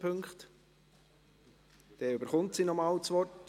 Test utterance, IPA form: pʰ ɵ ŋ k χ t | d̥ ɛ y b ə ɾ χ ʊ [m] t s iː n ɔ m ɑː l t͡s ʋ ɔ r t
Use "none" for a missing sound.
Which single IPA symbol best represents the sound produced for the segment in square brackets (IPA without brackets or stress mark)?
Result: n